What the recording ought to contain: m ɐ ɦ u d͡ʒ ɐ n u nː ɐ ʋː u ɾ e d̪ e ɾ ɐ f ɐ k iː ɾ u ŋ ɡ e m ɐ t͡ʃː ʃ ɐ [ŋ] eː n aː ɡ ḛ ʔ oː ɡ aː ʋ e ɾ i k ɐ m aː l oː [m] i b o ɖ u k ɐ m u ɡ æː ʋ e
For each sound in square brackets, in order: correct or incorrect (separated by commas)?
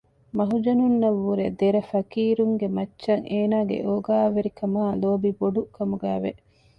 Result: correct, incorrect